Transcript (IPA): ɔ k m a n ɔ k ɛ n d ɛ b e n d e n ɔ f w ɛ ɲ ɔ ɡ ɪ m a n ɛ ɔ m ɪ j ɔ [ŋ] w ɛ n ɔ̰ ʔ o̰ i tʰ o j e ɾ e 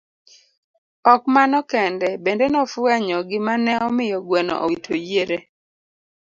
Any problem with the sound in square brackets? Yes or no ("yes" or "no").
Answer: yes